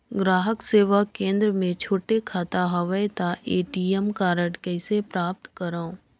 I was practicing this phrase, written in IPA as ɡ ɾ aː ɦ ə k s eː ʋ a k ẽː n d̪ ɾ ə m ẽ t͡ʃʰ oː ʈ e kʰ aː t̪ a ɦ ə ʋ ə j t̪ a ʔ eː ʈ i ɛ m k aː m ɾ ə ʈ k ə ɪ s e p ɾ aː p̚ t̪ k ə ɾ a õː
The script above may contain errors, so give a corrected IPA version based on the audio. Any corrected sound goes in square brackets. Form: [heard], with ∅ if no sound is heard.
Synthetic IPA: ɡ ɾ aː ɦ ə k s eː ʋ a k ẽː n d̪ ɾ ə m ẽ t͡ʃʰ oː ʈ e kʰ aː t̪ a ɦ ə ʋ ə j t̪ a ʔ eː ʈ i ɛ m k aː [∅] ɾ ə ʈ k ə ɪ s e p ɾ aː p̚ t̪ k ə ɾ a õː